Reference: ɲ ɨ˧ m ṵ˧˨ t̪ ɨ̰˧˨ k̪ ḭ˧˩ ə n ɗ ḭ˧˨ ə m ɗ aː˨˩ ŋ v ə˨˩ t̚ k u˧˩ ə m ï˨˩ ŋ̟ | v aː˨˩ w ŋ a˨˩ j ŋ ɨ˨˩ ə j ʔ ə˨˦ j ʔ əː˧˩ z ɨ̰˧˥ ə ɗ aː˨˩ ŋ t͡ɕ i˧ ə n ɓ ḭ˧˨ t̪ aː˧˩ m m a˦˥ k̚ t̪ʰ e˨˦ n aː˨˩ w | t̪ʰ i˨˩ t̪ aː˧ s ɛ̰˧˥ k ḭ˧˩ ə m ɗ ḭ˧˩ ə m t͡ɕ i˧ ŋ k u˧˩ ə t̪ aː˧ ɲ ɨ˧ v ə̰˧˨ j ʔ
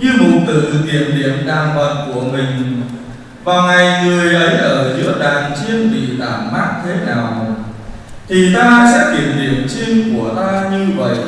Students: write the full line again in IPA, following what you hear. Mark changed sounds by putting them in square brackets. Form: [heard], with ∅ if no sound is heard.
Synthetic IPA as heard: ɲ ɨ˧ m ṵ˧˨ t̪ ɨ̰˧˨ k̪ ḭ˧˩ ə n ɗ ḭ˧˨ ə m ɗ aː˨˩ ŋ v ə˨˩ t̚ k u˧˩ ə m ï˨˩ ŋ̟ | v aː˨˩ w ŋ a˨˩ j ŋ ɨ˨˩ ə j ʔ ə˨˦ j ʔ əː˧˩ z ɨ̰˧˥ ə ɗ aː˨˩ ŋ t͡ɕ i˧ ə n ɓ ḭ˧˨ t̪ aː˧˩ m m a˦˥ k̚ t̪ʰ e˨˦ n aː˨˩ w | t̪ʰ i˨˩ t̪ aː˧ s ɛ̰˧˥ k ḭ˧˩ ə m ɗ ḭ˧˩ ə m t͡ɕ i˧ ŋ k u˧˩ ə t̪ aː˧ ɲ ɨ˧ v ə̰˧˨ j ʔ